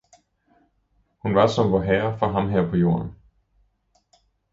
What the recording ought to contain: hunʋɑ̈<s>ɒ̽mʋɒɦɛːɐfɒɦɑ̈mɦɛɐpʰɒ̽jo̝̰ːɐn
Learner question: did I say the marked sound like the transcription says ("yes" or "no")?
yes